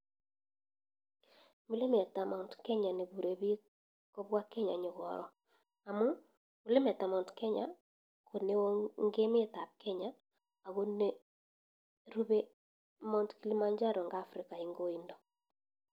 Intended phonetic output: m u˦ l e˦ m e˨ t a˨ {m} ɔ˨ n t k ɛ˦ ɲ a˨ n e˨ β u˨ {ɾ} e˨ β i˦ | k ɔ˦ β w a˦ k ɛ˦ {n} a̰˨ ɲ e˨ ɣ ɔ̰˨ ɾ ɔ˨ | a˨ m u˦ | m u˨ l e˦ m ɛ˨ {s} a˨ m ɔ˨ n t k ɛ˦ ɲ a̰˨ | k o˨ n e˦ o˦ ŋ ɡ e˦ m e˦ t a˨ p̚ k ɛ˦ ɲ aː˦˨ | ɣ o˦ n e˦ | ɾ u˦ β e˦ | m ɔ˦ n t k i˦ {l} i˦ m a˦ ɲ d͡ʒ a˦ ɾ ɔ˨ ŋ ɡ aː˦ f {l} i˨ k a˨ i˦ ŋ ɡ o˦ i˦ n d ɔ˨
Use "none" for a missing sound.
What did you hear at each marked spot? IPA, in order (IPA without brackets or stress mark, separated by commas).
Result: m, ɾ, ɲ, t, l, ɾ